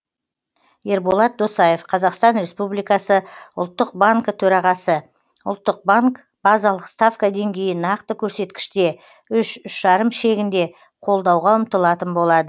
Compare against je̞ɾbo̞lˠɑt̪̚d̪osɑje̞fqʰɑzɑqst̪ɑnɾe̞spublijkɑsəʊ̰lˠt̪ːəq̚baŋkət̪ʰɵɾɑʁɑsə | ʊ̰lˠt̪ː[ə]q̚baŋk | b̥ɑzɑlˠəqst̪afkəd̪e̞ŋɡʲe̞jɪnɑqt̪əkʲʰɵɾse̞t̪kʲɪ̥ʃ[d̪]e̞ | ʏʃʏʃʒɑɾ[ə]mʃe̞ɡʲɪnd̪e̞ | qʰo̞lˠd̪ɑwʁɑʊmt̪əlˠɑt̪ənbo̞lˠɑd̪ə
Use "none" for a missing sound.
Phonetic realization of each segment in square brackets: ə, t̪, ə

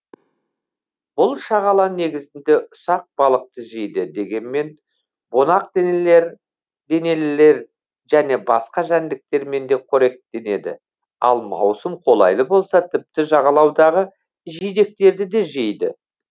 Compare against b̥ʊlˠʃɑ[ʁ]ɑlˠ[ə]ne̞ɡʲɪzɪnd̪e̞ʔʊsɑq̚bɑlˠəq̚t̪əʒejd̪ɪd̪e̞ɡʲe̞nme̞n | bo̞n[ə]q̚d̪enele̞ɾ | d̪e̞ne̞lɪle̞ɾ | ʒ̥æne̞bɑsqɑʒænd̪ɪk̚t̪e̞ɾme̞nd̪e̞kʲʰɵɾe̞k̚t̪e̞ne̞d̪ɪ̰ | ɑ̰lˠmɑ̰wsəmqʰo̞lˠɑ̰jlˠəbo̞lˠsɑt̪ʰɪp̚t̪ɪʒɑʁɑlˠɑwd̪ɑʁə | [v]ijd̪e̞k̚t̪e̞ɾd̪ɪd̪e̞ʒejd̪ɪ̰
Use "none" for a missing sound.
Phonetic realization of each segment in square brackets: ʁ, ɑ, ɑ, ʒ

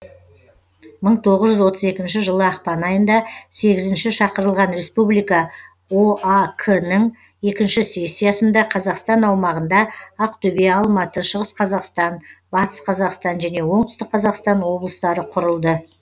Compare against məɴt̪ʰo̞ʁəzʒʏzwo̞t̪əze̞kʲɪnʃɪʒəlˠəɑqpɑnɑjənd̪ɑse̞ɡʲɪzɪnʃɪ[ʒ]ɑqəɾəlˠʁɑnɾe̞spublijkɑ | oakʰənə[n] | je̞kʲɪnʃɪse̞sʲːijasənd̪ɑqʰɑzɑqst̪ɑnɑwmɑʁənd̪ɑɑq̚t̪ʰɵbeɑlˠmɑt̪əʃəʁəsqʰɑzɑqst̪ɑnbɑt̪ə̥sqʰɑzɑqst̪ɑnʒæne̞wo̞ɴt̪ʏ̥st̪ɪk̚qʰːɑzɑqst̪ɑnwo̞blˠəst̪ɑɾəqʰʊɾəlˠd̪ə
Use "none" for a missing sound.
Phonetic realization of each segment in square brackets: ʃ, ɴ

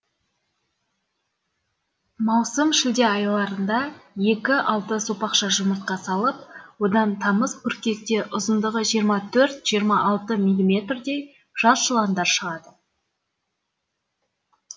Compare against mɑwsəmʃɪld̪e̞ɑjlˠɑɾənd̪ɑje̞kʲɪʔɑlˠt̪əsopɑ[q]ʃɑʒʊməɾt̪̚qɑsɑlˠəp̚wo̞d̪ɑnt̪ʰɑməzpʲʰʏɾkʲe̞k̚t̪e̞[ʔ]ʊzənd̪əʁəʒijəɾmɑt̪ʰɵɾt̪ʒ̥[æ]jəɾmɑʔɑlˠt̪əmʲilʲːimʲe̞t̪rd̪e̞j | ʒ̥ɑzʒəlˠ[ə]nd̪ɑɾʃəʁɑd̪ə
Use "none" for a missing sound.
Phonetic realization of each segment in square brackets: q, ʔ, i, ɑ

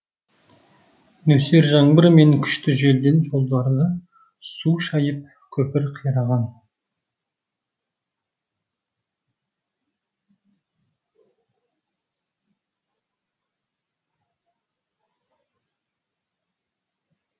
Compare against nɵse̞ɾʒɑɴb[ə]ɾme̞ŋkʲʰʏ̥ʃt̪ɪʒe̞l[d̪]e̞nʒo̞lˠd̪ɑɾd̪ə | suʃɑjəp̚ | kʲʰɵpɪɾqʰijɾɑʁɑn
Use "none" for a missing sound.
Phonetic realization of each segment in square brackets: ə, d̪

